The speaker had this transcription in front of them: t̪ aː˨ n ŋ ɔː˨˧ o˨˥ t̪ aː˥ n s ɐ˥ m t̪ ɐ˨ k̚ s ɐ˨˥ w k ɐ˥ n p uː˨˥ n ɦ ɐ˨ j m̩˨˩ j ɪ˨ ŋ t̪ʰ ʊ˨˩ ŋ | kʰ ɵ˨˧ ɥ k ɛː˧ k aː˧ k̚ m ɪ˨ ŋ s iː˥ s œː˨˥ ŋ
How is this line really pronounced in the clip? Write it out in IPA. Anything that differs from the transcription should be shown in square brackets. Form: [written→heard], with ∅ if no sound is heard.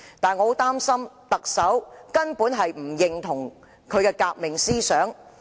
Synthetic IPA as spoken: t̪ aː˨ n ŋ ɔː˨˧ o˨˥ t̪ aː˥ [n→m] s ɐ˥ m t̪ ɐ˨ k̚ s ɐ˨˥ w k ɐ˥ n p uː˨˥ n ɦ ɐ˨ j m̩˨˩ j ɪ˨ ŋ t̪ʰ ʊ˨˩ ŋ | kʰ ɵ˨˧ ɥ k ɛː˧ k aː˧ k̚ m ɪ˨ ŋ s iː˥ s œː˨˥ ŋ